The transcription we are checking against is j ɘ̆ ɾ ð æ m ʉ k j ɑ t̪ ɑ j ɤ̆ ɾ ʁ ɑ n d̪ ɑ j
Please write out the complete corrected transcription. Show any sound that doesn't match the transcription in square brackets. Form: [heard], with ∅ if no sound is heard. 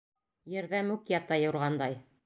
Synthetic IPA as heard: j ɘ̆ ɾ ð æ m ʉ k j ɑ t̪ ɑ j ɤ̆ ɾ ʁ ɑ n d̪ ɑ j